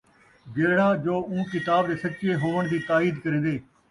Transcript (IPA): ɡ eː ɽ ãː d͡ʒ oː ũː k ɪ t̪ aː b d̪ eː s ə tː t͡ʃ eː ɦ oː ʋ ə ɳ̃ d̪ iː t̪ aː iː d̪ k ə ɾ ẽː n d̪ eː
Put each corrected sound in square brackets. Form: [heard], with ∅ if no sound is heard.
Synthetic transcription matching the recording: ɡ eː ɽ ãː d͡ʒ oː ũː k ɪ t̪ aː b d̪ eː s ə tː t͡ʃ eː ɦ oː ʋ ə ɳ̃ d̪ iː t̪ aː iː d̪ k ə ɾ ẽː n d̪ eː